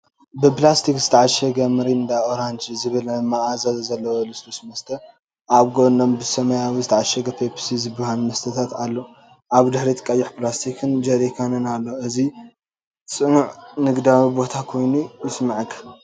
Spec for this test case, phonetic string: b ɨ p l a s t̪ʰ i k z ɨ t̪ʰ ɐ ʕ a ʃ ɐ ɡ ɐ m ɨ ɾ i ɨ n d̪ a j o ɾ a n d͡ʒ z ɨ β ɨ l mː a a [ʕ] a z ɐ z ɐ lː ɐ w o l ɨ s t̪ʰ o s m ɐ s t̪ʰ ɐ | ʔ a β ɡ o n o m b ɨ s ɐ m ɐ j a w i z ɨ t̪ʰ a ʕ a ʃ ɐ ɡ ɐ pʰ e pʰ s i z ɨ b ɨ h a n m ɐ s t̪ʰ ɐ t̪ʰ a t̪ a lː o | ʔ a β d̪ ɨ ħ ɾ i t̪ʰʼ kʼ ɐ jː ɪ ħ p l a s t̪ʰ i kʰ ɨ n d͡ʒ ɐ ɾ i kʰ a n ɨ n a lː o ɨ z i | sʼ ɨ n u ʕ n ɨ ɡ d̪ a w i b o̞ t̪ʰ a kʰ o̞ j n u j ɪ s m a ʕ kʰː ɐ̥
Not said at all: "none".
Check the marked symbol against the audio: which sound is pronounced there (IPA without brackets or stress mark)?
z